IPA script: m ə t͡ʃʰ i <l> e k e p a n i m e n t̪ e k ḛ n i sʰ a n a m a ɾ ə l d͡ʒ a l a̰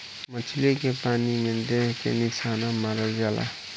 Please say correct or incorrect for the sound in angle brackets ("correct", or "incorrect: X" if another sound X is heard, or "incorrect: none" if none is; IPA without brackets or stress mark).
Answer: correct